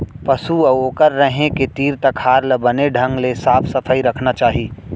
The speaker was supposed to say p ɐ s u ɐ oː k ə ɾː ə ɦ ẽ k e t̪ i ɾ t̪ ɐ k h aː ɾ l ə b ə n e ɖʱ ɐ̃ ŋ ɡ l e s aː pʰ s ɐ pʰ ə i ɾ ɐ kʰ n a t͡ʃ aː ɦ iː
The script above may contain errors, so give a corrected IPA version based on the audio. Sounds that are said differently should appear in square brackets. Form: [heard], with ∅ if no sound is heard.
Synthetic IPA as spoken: p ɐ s u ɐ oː k ə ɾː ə ɦ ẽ k e t̪ [iː] ɾ t̪ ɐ k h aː ɾ l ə b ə n e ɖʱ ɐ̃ ŋ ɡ l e s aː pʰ s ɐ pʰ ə i ɾ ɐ kʰ n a t͡ʃ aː ɦ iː